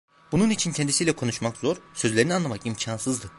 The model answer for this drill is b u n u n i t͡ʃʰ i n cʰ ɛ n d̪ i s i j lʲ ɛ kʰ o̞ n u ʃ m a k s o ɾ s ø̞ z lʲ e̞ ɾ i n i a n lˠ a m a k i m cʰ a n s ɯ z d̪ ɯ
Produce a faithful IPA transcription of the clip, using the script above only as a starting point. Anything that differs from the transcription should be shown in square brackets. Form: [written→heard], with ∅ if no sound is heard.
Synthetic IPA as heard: b u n u n i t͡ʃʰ i n cʰ ɛ n d̪ i s i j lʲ ɛ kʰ o̞ n u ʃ m a k [s→z] o ɾ s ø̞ z lʲ e̞ ɾ i n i a n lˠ a m a k i m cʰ a n s ɯ z d̪ ɯ

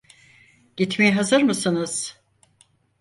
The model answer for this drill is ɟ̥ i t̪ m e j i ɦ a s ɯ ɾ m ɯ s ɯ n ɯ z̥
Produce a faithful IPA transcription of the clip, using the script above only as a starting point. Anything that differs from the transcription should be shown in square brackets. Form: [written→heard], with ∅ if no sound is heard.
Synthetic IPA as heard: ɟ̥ i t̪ m e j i ɦ a [s→z] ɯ ɾ m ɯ s ɯ n ɯ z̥

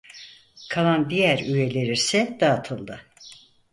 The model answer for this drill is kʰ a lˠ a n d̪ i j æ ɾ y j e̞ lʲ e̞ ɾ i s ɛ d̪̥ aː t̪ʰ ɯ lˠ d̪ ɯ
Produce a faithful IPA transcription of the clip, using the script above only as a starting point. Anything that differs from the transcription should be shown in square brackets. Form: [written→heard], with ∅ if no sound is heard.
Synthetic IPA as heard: kʰ a lˠ a n d̪ i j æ ɾ y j e̞ lʲ e̞ ɾ i s ɛ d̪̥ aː t̪ʰ ɯ lˠ d̪ ɯ

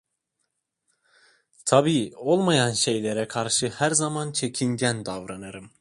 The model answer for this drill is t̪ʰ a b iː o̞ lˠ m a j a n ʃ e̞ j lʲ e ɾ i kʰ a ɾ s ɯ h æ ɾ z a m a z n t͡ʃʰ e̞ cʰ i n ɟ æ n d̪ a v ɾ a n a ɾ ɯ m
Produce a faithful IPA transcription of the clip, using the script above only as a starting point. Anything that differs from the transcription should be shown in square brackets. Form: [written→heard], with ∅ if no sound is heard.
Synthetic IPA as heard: t̪ʰ a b iː o̞ lˠ m a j a n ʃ e̞ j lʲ e ɾ [i→ɛ] kʰ a ɾ [s→ʃ] ɯ h æ ɾ z a m a [z→∅] n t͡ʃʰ e̞ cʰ i n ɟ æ n d̪ a v ɾ a n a ɾ ɯ m

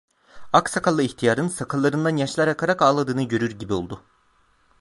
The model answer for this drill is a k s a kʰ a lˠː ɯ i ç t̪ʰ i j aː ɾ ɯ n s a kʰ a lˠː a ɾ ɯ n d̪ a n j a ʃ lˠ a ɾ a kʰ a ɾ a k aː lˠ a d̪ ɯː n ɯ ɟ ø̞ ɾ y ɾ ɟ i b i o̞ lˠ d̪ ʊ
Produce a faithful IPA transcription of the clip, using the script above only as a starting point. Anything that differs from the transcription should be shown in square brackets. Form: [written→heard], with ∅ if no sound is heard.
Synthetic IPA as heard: a k s a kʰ a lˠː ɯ i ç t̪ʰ i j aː ɾ ɯ n s a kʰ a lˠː a ɾ ɯ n d̪ a n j a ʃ lˠ a ɾ a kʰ a ɾ a k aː lˠ a d̪ ɯː n ɯ ɟ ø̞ ɾ y ɾ ɟ i b i o̞ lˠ d̪ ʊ

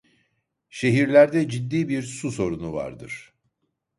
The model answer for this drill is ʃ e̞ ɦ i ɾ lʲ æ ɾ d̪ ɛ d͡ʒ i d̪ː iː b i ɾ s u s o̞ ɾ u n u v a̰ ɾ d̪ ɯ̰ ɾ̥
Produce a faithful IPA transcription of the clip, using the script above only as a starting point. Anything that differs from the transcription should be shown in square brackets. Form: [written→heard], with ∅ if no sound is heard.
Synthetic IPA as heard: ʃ e̞ ɦ i ɾ lʲ æ ɾ d̪ ɛ d͡ʒ i d̪ː iː b i ɾ s u s o̞ ɾ u n u v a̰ ɾ d̪ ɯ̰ ɾ̥

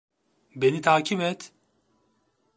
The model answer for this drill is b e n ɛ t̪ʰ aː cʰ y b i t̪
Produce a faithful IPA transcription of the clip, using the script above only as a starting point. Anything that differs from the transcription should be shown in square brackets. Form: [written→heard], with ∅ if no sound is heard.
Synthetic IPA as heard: b e n [ɛ→i] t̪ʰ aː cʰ [y→i] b [i→ɛ] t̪

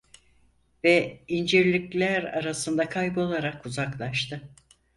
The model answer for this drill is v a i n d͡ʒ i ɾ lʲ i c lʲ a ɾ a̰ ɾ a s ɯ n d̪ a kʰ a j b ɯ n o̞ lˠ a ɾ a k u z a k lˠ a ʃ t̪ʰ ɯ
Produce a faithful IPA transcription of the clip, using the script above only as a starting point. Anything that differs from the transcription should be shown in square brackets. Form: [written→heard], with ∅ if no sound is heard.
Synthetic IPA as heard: v [a→ɛ] i n d͡ʒ i ɾ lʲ i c lʲ [a→æ] ɾ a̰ ɾ a s ɯ n d̪ a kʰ a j b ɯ [n→∅] o̞ lˠ a ɾ a k u z a k lˠ a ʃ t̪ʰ ɯ

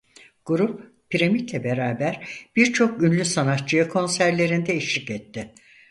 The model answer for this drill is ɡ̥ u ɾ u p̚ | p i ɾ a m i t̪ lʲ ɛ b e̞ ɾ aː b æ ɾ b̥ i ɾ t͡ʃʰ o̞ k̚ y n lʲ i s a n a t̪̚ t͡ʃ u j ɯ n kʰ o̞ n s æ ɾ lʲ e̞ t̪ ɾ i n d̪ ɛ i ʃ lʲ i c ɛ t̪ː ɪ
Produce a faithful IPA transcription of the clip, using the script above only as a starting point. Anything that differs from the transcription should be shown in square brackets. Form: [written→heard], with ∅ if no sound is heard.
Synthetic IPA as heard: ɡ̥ u ɾ u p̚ | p i ɾ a m i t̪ lʲ ɛ b e̞ ɾ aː b æ ɾ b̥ i ɾ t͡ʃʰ o̞ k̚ y n lʲ [i→y] s a n a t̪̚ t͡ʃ [u→ɯ] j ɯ [n→∅] kʰ o̞ n s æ ɾ lʲ e̞ [t̪→∅] ɾ i n d̪ ɛ i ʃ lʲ i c ɛ t̪ː ɪ

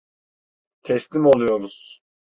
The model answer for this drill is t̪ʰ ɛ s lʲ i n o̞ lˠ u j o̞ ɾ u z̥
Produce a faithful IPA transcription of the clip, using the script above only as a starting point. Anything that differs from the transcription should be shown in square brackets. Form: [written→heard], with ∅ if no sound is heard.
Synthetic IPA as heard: t̪ʰ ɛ s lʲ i [n→m] o̞ lˠ u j o̞ ɾ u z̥

